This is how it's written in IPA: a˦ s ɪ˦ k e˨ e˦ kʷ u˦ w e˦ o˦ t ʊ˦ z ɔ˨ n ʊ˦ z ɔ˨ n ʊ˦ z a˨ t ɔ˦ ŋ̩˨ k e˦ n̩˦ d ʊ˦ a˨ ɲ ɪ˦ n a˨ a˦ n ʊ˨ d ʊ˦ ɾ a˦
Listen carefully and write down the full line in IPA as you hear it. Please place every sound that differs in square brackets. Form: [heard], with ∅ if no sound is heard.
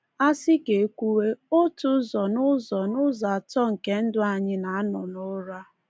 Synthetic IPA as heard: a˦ s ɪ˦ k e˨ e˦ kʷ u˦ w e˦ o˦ t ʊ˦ z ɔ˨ n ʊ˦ z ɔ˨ n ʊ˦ z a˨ t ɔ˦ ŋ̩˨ k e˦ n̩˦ d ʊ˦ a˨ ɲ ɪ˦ n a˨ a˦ n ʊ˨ [n] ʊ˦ ɾ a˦